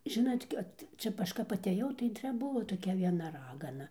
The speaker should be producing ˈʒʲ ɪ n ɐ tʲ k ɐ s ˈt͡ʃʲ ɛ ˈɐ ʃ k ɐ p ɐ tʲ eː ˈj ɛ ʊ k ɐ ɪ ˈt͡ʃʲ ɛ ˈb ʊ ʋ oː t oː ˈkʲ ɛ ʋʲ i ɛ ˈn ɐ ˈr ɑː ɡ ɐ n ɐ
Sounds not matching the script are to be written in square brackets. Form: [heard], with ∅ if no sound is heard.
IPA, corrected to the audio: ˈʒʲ ɪ n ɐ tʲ k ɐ [t] ˈt͡ʃʲ ɛ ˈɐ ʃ k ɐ p ɐ tʲ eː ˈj ɛ ʊ [t] ɐ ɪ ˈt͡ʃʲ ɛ ˈb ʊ ʋ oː t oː ˈkʲ ɛ ʋʲ i ɛ ˈn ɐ ˈr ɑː ɡ ɐ n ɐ

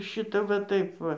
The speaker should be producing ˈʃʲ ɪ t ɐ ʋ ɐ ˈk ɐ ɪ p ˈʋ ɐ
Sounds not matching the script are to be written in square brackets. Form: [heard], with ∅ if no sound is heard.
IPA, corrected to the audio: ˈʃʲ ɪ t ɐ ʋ ɐ [ˈt] ɐ ɪ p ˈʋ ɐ

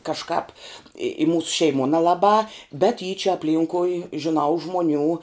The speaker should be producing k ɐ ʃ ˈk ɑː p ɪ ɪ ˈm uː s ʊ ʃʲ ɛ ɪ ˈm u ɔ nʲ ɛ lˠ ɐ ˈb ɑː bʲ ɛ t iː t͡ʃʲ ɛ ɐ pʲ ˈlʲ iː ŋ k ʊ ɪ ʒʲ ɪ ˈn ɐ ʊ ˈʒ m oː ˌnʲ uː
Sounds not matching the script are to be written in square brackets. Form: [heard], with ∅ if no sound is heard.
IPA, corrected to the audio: k ɐ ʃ ˈk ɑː p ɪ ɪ ˈm uː s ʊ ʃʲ ɛ ɪ ˈm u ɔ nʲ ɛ lˠ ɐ ˈb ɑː bʲ ɛ t iː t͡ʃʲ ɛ ɐ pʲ ˈlʲ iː ŋ k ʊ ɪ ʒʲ ɪ ˈn ɐ ʊ ˈʒ m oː ˌnʲ uː

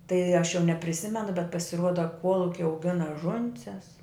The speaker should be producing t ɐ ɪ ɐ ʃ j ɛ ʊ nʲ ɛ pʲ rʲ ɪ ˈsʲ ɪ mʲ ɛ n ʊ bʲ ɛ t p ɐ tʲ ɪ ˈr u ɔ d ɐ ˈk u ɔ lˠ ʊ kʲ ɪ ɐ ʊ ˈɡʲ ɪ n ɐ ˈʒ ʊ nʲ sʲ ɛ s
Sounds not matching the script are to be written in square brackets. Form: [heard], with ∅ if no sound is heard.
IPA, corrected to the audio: t ɐ ɪ ɐ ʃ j ɛ ʊ nʲ ɛ pʲ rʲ ɪ ˈsʲ ɪ mʲ ɛ n ʊ bʲ ɛ t p ɐ [sʲ] ɪ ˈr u ɔ d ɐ ˈk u ɔ lˠ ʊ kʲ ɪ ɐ ʊ ˈɡʲ ɪ n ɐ ˈʒ ʊ nʲ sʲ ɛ s

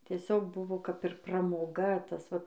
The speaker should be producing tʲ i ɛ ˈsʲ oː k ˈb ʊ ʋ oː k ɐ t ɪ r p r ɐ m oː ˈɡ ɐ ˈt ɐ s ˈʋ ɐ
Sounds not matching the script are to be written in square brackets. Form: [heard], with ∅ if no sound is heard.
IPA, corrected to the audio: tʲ i ɛ ˈsʲ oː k ˈb ʊ ʋ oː k ɐ [p] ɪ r p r ɐ m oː ˈɡ ɐ ˈt ɐ s ˈʋ ɐ

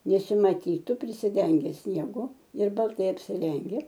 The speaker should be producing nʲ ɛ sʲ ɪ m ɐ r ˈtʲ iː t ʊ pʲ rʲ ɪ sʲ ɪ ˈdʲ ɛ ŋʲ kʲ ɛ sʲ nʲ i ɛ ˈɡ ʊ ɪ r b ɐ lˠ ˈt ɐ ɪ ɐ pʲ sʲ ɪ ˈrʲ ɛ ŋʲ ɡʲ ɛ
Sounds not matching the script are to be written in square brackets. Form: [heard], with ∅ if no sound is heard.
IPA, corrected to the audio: nʲ ɛ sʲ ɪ m ɐ [∅] ˈtʲ iː t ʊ pʲ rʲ ɪ sʲ ɪ ˈdʲ ɛ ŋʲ [ɡʲ] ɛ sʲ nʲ i ɛ ˈɡ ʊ ɪ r b ɐ lˠ ˈt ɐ ɪ ɐ pʲ sʲ ɪ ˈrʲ ɛ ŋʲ ɡʲ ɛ

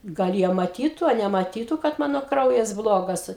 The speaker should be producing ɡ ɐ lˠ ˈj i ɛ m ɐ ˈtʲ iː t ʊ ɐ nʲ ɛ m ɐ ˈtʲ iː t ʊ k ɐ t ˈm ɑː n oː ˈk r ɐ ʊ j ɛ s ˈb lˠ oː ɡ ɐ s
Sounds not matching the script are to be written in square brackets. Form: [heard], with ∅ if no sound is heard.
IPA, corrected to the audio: ɡ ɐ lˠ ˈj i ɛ m ɐ ˈtʲ iː t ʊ ɐ nʲ ɛ m ɐ ˈtʲ iː t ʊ k ɐ t ˈm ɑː n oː ˈk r ɐ ʊ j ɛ s ˈb lˠ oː ɡ ɐ s

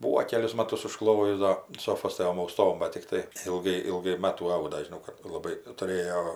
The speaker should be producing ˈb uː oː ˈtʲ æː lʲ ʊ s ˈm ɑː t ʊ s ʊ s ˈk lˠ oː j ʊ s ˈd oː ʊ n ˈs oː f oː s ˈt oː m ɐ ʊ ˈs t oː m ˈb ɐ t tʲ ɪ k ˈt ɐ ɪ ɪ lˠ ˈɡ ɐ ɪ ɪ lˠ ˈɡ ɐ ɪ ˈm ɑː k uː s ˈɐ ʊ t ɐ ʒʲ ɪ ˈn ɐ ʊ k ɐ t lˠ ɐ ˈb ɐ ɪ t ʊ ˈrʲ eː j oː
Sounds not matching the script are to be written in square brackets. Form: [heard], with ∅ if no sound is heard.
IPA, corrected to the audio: ˈb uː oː [ˈkʲ] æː lʲ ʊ s ˈm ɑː t ʊ s ʊ [ʃ] ˈk lˠ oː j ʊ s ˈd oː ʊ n ˈs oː f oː s ˈt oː m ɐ ʊ ˈs t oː m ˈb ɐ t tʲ ɪ k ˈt ɐ ɪ ɪ lˠ ˈɡ ɐ ɪ ɪ lˠ ˈɡ ɐ ɪ ˈm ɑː [t] uː [∅] ˈɐ ʊ [d] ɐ ʒʲ ɪ ˈn ɐ ʊ k ɐ t lˠ ɐ ˈb ɐ ɪ t ʊ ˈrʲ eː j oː

